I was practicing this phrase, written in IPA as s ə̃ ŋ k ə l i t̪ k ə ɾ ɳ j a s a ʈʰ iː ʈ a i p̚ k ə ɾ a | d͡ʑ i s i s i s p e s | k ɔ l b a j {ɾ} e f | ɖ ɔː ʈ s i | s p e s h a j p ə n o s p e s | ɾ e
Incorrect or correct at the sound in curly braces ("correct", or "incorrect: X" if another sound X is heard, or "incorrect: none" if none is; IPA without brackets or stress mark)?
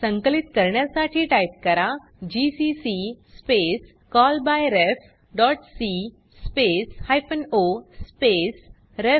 correct